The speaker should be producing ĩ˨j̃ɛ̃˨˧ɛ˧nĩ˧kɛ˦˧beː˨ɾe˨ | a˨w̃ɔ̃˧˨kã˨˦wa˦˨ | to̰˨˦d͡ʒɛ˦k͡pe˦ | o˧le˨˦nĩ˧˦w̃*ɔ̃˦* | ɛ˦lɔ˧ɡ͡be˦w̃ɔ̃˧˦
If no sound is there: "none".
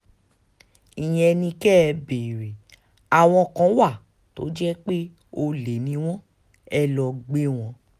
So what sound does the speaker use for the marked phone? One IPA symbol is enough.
ɔ̃˦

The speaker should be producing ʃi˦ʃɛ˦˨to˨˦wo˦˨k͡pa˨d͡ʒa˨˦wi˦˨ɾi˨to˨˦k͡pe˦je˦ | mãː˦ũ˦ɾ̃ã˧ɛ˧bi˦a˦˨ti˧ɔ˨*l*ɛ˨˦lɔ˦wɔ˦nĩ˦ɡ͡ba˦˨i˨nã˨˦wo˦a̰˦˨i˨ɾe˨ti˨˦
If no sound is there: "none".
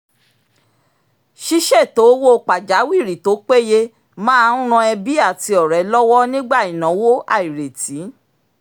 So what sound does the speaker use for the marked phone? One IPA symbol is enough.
ɾ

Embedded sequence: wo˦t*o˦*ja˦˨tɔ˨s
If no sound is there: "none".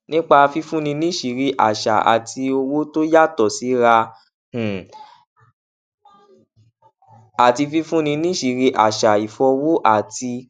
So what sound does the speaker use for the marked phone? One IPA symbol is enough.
o˦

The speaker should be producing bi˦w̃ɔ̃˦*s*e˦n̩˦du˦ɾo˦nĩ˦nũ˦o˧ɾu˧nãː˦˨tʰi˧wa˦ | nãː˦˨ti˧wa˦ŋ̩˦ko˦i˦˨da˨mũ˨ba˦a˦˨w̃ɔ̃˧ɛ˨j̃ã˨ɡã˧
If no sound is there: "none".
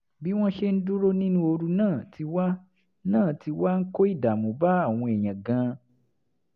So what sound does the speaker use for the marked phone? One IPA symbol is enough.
ʃ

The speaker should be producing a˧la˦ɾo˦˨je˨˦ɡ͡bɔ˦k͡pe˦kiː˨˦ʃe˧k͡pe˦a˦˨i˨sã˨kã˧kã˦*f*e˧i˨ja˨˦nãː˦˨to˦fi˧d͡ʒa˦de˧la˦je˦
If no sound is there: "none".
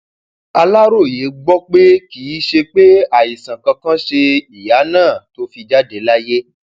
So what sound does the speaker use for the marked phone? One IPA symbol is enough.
ʃ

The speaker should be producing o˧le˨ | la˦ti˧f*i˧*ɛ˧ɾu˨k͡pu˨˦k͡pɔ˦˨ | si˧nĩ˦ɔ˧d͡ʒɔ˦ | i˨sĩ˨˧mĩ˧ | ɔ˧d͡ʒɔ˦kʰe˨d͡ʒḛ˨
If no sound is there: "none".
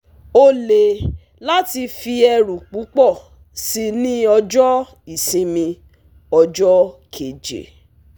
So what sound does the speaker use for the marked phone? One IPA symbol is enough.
i˧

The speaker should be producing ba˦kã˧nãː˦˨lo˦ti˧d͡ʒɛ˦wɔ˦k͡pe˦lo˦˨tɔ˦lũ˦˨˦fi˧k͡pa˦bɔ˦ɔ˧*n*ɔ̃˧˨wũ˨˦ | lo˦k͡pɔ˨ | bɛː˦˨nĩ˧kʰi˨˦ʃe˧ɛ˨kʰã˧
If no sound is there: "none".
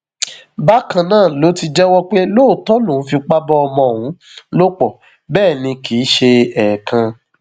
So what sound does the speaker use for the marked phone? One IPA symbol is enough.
m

